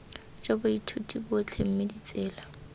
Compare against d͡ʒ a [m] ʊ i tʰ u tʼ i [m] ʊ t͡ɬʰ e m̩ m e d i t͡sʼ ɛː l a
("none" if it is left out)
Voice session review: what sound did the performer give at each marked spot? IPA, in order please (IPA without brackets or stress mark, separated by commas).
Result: b, b